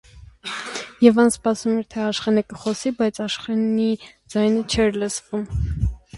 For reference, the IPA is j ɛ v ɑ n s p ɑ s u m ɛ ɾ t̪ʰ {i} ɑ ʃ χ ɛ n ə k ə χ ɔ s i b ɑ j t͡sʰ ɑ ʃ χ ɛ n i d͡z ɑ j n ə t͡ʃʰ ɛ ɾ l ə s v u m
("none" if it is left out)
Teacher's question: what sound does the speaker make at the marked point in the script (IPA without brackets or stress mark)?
ɛ